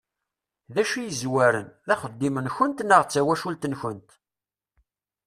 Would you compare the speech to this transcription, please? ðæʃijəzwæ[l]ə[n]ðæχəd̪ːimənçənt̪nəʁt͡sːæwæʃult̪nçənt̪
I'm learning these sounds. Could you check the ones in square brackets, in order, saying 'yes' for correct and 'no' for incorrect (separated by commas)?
no, yes